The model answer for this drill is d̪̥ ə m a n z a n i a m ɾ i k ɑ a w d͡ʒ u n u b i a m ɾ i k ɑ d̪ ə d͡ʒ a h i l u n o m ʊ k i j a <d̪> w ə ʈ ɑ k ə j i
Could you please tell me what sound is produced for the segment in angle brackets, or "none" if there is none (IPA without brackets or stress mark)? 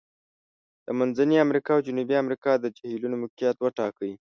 t̪